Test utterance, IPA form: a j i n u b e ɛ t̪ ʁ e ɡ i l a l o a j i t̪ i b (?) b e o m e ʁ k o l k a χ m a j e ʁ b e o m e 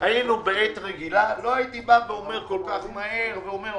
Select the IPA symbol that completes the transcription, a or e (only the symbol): a